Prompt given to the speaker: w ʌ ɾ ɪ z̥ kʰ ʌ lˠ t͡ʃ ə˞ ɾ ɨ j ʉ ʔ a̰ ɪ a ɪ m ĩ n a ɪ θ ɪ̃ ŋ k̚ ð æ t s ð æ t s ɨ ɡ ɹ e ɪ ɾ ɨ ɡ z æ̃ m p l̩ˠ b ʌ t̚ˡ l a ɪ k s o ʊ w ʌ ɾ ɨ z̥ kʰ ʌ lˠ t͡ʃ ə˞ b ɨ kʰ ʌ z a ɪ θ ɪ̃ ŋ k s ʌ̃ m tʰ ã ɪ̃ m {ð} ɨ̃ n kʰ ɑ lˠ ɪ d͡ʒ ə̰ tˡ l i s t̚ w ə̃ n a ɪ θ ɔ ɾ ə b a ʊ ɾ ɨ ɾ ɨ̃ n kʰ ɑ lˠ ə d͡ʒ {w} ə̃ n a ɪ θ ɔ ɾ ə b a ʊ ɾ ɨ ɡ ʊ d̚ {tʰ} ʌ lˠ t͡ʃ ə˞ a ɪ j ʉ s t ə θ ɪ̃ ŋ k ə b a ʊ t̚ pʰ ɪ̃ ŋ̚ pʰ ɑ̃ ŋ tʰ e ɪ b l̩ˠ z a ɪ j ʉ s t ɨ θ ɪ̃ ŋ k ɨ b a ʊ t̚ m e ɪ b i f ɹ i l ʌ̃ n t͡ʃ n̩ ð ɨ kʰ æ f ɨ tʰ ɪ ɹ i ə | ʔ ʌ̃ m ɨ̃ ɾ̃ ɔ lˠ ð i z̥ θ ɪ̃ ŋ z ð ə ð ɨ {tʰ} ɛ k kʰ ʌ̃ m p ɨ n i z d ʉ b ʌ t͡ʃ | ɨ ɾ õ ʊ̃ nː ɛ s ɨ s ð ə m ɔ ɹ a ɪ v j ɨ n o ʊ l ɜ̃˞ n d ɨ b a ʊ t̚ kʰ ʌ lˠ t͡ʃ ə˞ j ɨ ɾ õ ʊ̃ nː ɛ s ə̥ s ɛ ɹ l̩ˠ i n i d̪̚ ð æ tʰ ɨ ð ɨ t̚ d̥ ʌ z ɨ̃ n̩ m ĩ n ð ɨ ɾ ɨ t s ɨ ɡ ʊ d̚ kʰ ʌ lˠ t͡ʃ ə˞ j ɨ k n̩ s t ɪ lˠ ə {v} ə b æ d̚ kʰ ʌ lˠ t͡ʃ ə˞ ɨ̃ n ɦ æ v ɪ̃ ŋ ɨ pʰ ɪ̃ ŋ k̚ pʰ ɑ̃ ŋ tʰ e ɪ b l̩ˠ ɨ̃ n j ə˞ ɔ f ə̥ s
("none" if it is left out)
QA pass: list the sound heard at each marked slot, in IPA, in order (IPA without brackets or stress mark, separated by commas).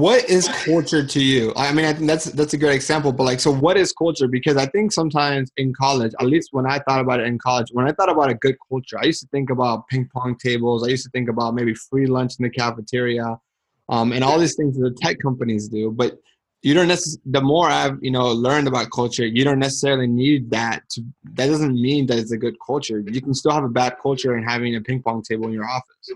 z, w, kʰ, tʰ, v